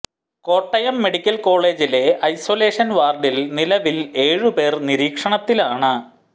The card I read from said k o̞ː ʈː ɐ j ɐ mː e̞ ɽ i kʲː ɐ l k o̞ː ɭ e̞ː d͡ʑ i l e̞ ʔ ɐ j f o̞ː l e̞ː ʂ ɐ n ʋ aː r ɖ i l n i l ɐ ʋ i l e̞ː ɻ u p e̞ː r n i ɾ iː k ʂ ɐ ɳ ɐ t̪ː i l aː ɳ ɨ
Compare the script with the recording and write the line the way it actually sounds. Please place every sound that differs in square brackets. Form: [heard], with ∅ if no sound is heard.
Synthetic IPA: k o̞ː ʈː ɐ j ɐ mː e̞ ɽ i kʲː ɐ l k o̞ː ɭ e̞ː d͡ʑ i l e̞ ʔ ɐ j [s] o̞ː l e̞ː ʂ ɐ n ʋ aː r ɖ i l n i l ɐ ʋ i l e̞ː ɻ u p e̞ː r n i ɾ iː k ʂ ɐ ɳ ɐ t̪ː i l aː ɳ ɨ